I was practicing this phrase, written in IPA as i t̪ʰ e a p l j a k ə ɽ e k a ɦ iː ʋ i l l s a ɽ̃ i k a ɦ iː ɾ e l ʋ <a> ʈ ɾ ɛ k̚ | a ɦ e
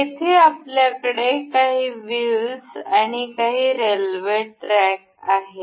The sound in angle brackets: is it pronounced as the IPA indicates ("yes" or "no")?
no